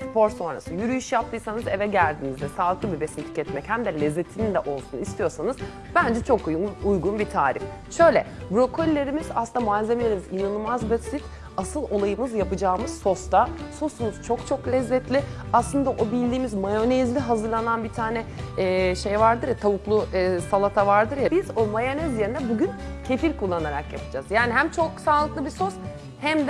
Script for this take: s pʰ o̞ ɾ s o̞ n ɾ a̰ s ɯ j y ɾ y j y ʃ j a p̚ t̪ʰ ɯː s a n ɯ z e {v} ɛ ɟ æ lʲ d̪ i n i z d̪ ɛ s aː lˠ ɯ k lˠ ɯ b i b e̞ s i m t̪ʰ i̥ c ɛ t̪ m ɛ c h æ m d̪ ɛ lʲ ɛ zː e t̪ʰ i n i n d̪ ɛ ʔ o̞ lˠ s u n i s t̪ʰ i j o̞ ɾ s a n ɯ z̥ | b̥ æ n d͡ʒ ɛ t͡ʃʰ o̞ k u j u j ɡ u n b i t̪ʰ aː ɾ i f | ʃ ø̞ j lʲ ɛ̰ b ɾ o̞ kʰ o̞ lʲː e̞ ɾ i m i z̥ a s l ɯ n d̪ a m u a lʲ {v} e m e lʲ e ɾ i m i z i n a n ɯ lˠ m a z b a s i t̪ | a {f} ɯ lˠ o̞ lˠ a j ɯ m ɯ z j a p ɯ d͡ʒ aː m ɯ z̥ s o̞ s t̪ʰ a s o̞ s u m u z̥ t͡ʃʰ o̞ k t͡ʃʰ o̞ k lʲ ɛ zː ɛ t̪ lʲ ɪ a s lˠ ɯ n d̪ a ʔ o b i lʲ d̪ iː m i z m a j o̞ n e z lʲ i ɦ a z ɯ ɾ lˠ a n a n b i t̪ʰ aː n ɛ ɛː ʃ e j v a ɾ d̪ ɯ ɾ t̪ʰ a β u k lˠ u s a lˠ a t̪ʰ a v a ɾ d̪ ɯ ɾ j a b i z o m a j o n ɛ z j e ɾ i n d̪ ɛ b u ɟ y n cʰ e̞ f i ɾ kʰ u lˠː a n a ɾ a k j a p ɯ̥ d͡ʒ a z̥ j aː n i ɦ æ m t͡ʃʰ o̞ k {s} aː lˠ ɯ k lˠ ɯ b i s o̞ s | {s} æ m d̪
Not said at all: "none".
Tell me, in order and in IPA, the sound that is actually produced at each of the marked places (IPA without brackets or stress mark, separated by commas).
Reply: v, z, s, s, h